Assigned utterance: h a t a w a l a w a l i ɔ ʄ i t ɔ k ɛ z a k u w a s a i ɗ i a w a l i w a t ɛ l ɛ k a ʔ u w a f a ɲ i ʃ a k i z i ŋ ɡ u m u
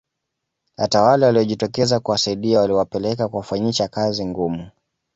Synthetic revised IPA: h a t a w a l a w a l i ɔ ʄ i t ɔ k ɛ z a k u w a s a i ɗ i a w a l i w a p ɛ l ɛ k a k u w a f a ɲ i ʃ a k a z i ŋ ɡ u m u